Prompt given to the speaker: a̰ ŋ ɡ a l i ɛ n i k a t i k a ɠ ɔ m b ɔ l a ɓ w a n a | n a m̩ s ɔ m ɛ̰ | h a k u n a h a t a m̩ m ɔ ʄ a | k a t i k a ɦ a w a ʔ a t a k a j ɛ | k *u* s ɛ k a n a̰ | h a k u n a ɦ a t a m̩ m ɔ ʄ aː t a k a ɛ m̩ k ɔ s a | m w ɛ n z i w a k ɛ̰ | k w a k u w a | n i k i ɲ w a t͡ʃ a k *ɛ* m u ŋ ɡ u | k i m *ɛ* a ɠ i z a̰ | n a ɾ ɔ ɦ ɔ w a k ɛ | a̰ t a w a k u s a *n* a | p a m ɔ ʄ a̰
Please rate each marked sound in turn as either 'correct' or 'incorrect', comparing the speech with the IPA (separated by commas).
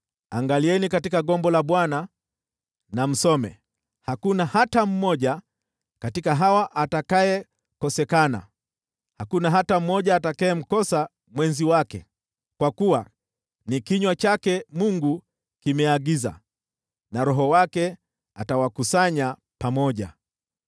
incorrect, correct, correct, incorrect